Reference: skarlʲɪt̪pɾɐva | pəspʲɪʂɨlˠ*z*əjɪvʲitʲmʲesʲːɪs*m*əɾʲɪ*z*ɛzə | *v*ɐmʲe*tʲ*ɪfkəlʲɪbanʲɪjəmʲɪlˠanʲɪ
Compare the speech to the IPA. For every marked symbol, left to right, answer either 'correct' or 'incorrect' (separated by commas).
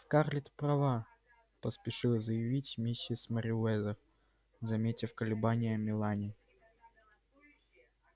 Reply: correct, correct, incorrect, incorrect, correct